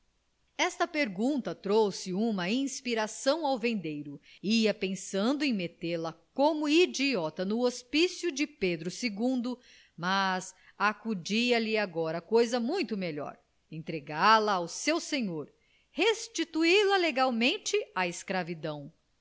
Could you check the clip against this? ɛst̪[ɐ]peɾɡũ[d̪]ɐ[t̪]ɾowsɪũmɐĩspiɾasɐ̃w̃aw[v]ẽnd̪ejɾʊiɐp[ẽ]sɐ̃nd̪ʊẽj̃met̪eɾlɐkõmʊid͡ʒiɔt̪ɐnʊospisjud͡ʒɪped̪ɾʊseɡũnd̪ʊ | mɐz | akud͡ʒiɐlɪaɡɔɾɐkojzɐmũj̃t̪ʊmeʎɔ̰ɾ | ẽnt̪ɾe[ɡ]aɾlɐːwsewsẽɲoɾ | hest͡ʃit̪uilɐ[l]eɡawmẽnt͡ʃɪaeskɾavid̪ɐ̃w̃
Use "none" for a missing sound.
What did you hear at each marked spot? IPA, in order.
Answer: ɐ, t̪, t̪, v, ẽ, ɡ, l

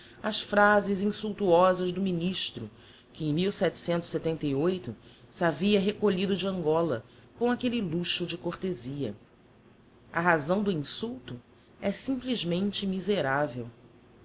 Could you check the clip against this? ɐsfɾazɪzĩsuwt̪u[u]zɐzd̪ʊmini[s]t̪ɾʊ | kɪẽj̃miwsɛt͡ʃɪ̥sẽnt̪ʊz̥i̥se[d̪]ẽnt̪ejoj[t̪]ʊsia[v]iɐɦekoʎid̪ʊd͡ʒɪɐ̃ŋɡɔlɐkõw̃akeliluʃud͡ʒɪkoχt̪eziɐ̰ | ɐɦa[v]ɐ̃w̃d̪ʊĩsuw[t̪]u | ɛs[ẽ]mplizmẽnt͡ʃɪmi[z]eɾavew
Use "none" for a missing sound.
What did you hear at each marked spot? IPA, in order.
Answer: ɔ, ʃ, t̪, t̪, v, z, t̪, ĩ, z

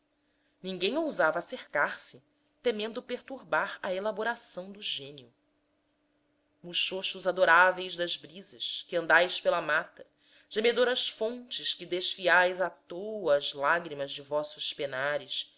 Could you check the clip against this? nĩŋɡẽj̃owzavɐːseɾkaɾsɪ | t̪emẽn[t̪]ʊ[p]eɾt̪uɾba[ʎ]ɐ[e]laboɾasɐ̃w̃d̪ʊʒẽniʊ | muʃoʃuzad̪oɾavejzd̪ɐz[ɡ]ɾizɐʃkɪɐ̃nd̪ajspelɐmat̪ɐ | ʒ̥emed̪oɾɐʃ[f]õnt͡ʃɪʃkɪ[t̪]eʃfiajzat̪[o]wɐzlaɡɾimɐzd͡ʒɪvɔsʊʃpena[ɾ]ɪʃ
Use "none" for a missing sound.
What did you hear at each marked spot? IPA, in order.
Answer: d̪, p, ɾ, e, b, f, d̪, o, ɾ

